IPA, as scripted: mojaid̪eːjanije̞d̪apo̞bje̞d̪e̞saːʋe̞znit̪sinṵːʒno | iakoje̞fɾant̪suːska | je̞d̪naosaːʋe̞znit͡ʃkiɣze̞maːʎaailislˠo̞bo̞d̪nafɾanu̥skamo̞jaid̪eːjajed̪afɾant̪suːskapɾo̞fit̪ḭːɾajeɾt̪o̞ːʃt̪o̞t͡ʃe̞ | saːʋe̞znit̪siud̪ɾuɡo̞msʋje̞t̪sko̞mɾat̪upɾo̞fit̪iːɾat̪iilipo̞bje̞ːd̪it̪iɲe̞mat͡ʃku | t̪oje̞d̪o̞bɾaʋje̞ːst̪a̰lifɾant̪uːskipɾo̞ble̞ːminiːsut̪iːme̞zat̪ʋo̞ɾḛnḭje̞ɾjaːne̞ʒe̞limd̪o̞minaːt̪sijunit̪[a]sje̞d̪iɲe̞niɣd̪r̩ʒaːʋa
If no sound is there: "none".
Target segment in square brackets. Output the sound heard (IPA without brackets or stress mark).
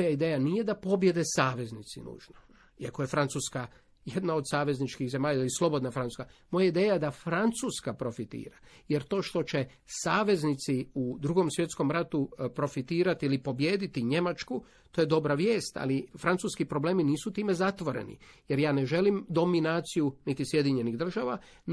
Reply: i